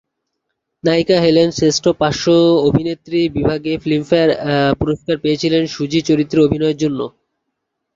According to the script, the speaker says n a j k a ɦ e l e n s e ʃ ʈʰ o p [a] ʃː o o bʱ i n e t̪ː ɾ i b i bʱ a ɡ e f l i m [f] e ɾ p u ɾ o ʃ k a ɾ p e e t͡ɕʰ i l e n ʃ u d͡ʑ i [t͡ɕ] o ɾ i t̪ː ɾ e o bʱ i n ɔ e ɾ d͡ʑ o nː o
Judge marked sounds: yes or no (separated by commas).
yes, yes, yes